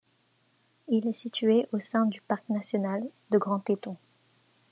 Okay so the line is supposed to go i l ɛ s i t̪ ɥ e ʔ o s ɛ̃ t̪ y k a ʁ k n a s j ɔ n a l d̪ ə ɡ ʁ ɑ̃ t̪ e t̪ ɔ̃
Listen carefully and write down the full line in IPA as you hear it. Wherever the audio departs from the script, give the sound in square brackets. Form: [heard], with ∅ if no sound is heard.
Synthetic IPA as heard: i l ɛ s i t̪ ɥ e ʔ o s ɛ̃ [d̪] y [p] a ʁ k n a s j ɔ n a l d̪ ə ɡ ʁ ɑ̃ t̪ e t̪ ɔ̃